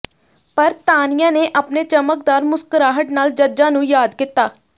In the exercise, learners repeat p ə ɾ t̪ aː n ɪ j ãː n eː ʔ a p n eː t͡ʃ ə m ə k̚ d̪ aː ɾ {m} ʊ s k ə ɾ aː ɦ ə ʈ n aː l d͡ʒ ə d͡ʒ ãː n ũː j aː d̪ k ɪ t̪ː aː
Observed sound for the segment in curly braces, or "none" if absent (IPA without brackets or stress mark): m